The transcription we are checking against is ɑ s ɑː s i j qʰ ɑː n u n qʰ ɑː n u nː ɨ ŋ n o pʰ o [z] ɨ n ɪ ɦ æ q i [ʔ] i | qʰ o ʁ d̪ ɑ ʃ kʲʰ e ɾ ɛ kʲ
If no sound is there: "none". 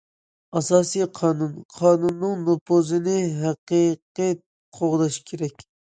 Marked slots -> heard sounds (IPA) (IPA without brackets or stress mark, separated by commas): z, q